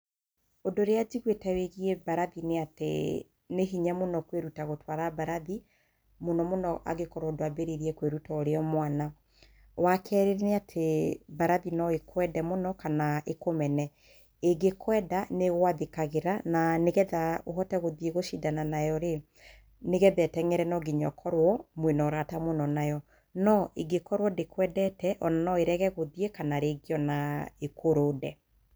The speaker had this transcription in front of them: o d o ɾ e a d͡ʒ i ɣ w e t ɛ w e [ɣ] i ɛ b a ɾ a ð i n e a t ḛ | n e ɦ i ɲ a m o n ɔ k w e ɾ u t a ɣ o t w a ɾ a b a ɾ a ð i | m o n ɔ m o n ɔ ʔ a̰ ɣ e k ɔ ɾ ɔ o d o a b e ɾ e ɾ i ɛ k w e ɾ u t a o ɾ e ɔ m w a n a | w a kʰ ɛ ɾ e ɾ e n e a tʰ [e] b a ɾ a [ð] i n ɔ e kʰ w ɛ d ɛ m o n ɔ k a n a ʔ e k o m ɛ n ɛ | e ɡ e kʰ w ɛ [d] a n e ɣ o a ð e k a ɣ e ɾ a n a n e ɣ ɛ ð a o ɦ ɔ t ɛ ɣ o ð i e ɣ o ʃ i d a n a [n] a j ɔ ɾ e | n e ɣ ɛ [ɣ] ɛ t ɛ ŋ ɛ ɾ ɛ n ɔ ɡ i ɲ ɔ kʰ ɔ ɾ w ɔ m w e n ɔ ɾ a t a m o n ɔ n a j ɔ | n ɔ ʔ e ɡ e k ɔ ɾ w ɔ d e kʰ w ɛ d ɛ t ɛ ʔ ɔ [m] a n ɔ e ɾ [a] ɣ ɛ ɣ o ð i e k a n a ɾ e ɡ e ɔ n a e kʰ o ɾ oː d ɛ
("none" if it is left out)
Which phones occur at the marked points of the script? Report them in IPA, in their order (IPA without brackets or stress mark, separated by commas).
ɣ, e, ð, d, n, ð, n, ɛ